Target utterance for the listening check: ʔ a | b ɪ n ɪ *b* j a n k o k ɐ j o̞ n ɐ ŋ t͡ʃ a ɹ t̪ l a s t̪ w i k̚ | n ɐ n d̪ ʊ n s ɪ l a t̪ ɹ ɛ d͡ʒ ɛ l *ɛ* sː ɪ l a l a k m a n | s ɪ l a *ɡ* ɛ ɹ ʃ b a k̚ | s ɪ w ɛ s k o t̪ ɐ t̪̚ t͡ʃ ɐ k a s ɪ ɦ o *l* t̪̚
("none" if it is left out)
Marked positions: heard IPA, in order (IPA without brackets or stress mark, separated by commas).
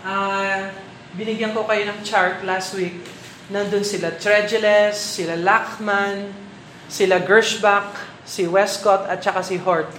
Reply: ɡ, ɛ, ɡ, ɹ